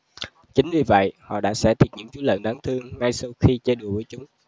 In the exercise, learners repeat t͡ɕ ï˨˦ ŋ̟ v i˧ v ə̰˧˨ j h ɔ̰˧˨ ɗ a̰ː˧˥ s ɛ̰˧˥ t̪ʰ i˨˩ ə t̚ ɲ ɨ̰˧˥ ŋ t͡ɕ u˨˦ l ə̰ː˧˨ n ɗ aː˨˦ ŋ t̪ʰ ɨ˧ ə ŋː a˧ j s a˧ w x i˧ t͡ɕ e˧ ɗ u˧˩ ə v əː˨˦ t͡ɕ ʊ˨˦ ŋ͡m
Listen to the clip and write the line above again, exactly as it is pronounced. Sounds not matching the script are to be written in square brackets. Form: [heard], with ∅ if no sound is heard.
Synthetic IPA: t͡ɕ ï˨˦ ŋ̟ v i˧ v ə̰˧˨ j h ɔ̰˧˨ ɗ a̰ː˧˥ s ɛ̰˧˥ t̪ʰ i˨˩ ə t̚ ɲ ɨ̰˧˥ ŋ t͡ɕ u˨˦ l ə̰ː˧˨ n ɗ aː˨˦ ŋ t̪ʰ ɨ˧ ə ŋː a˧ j s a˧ w x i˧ t͡ɕ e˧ ɗ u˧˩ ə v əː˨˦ t͡ɕ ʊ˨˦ ŋ͡m